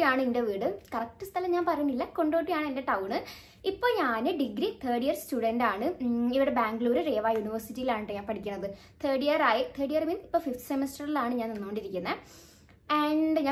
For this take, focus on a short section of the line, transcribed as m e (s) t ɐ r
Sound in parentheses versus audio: correct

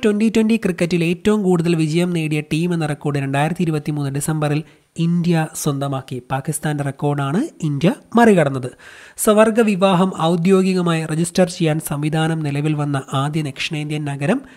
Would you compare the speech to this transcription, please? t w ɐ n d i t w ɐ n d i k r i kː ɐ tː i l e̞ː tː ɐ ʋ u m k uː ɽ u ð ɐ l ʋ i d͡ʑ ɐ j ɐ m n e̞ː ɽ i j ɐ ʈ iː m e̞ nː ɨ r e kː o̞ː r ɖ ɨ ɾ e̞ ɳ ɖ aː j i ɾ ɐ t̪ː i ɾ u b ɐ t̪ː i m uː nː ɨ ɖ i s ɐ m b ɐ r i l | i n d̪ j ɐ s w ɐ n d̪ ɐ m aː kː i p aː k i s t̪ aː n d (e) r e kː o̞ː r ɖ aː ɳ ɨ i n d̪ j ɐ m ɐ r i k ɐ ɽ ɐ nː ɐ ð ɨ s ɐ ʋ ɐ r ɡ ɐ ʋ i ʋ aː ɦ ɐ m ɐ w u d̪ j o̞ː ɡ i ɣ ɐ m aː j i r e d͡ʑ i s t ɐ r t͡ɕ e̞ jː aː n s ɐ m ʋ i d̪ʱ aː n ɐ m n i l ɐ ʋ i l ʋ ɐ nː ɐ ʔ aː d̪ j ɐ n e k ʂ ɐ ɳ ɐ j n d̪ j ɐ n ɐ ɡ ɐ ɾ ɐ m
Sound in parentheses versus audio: correct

